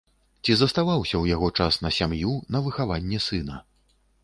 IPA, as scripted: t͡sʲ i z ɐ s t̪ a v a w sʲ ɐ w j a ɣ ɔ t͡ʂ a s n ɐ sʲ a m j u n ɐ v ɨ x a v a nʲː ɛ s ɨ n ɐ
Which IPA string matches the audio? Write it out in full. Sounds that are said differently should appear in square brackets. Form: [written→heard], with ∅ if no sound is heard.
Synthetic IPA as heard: t͡sʲ i z ɐ s t̪ a v a w sʲ ɐ w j a ɣ ɔ t͡ʂ a s n ɐ sʲ a m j u n ɐ v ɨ x a v a nʲː ɛ s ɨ n ɐ